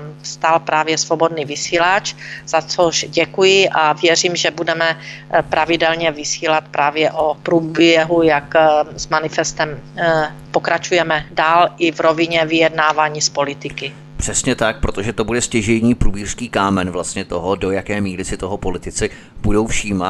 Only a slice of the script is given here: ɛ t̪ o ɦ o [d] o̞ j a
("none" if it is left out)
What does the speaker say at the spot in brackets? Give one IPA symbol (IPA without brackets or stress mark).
d